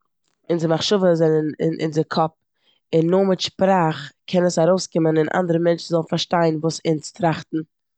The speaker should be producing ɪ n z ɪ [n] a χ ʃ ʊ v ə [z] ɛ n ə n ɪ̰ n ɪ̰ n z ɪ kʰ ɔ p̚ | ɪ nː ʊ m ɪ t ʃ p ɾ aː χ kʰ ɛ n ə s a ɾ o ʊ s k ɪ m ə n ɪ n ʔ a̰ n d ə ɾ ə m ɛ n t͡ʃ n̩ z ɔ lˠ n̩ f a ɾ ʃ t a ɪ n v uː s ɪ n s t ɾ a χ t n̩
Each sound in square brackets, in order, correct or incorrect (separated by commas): incorrect, correct